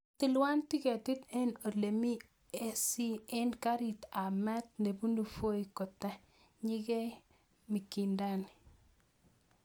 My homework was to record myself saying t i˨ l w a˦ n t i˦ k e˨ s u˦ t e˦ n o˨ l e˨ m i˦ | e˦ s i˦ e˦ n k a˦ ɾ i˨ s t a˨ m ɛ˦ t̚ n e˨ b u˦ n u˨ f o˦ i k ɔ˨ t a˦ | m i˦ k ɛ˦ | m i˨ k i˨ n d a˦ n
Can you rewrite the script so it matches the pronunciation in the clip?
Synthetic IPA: t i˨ l w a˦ n t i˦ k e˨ t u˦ t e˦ n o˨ l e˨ m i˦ | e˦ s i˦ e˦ n k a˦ ɾ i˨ t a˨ m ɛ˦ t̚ n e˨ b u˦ n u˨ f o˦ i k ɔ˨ t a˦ | ɲ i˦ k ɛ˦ | m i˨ k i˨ n d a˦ n